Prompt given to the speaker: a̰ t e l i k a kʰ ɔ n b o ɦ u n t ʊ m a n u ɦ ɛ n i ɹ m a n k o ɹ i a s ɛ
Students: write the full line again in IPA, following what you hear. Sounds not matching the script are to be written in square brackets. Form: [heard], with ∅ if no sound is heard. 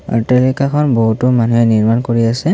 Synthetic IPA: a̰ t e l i k a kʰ ɔ n b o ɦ u [∅] t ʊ m a n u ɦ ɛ n i ɹ m a n k o ɹ i a s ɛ